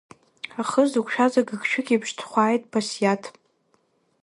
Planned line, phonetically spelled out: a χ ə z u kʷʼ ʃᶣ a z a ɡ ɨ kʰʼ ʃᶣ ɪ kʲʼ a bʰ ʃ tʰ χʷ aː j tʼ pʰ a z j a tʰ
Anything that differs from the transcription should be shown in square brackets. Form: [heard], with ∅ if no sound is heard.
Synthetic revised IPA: a χ ə z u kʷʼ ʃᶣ a z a ɡ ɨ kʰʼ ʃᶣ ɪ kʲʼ [i] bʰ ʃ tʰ χʷ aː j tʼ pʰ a [s] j a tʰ